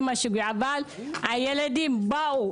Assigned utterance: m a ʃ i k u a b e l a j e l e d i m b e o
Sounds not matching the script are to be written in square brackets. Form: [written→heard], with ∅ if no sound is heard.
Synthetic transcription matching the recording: m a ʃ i [k→ɡ] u a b [e→a] l a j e l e d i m b [e→a] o